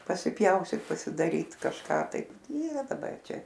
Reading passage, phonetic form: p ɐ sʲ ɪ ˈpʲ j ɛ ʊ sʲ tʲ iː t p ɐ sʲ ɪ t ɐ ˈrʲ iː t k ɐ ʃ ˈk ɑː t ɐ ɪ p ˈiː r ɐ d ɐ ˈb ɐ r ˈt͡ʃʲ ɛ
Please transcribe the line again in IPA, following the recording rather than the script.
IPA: p ɐ sʲ ɪ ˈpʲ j ɛ ʊ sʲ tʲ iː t p ɐ sʲ ɪ d ɐ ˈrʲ iː t k ɐ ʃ ˈk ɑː t ɐ ɪ p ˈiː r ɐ d ɐ ˈb ɐ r ˈt͡ʃʲ ɛ